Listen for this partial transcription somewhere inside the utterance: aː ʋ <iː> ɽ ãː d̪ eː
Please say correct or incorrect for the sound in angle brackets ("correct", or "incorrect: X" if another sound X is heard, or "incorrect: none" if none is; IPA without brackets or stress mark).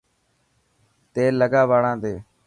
incorrect: aː